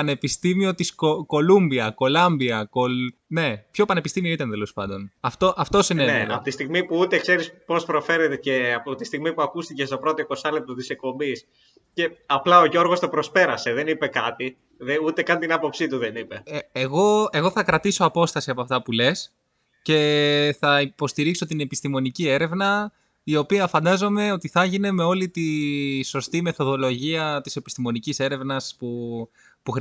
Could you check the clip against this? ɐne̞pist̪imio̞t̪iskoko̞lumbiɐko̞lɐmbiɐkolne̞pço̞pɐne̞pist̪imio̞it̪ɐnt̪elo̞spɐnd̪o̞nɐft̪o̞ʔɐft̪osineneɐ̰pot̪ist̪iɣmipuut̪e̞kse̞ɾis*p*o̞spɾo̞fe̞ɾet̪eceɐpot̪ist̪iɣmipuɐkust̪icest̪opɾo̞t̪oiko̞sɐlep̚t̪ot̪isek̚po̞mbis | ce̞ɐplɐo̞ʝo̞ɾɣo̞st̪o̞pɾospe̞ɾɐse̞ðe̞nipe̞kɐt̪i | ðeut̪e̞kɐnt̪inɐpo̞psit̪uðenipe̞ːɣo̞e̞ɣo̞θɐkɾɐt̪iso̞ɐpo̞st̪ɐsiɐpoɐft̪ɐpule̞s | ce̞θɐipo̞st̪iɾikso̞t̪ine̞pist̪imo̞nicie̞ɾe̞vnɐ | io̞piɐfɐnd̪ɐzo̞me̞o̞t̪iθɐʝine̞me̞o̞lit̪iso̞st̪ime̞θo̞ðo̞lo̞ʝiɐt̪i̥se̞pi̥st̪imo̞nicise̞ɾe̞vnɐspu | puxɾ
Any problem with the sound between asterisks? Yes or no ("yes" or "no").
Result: no